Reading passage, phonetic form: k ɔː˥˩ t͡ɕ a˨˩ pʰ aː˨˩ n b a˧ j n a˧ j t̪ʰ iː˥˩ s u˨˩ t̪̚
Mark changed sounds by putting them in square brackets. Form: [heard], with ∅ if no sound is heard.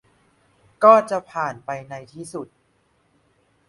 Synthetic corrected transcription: k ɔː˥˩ t͡ɕ a˨˩ pʰ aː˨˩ n [p] a˧ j n a˧ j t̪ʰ iː˥˩ s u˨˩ t̪̚